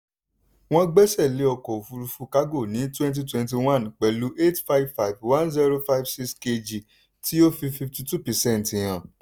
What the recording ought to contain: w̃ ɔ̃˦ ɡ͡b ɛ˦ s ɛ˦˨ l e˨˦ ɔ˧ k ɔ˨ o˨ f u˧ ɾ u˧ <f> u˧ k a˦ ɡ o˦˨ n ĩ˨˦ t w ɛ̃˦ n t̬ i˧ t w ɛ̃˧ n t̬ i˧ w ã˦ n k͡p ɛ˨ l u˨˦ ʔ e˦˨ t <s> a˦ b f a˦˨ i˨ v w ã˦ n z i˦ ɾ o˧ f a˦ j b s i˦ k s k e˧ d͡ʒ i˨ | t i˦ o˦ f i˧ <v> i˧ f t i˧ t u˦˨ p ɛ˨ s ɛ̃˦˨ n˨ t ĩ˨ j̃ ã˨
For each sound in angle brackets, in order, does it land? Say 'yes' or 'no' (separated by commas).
yes, no, no